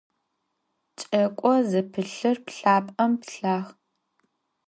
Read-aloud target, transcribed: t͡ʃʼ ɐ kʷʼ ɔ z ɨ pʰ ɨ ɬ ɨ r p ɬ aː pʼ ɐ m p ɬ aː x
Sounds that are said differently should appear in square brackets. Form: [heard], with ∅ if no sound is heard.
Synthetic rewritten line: t͡ʃʼ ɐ kʷʼ ɔ z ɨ pʰ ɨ ɬ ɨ r p ɬ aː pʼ ɐ m p ɬ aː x